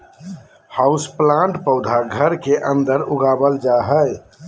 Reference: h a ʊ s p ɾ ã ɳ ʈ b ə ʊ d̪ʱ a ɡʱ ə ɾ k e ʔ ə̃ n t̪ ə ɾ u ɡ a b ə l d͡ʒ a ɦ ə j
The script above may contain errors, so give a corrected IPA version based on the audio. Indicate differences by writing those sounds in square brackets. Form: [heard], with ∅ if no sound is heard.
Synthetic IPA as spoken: h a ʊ s p [l] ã ɳ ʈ [p] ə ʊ d̪ʱ a ɡʱ ə ɾ k e ʔ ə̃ n [d̪] ə ɾ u ɡ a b ə l d͡ʒ a ɦ ə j